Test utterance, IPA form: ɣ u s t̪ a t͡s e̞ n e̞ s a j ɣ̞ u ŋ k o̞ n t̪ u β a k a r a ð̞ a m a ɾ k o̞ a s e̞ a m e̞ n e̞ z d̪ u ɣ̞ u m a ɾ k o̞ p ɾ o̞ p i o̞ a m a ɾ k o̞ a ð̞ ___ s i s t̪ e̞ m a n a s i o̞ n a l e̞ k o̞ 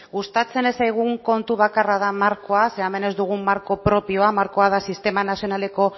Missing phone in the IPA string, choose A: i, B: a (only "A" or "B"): B